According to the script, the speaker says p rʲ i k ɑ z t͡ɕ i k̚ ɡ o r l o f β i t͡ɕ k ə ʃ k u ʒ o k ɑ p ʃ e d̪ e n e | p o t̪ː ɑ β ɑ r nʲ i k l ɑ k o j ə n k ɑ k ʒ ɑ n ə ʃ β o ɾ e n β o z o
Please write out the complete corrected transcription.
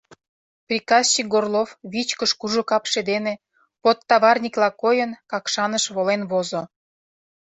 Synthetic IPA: p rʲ i k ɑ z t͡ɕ i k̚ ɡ o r l o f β i t͡ɕ k ə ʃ k u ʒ o k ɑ p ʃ e d̪ e n e | p o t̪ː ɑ β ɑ r nʲ i k l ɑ k o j ə n k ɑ k ʃ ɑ n ə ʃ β o l e n β o z o